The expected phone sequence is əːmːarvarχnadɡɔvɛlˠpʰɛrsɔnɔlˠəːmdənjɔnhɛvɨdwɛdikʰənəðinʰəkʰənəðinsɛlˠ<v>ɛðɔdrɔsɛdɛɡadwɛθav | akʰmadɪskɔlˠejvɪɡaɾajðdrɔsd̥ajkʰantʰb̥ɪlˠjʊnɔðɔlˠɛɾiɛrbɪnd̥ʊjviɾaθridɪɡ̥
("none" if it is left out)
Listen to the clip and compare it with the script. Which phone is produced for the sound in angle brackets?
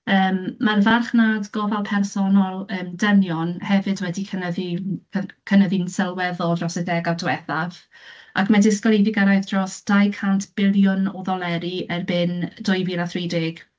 w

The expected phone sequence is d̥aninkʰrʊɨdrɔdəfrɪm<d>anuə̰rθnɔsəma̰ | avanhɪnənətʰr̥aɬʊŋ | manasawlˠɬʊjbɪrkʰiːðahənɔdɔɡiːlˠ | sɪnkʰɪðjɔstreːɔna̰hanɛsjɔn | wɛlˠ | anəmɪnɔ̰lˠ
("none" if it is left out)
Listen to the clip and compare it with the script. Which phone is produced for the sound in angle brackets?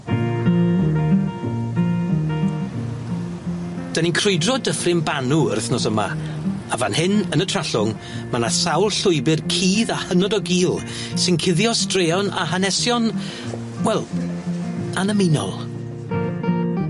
b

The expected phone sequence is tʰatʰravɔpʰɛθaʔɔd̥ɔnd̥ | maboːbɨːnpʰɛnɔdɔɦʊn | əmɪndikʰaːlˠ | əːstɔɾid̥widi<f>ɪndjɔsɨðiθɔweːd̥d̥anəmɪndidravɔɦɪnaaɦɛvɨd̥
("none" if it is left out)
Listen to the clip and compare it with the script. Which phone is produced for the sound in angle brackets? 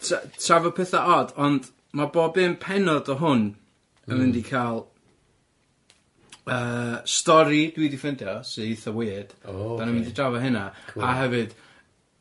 f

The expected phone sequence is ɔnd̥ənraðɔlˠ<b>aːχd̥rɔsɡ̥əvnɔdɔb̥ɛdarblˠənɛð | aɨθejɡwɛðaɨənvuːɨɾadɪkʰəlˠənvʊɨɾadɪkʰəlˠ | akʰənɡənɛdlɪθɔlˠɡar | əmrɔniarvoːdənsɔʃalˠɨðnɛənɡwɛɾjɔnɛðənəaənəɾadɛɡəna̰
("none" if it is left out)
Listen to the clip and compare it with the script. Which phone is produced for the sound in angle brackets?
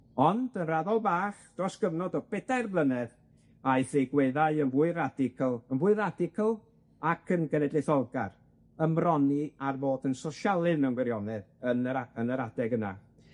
b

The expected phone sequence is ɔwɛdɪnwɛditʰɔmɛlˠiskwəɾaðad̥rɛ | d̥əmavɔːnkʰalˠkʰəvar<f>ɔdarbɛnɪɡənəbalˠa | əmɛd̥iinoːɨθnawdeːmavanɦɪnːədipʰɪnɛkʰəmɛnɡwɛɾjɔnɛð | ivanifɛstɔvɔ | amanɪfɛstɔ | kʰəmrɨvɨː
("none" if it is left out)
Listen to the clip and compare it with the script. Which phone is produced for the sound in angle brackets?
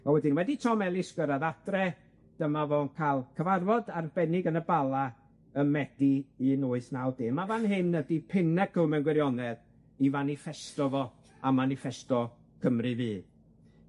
v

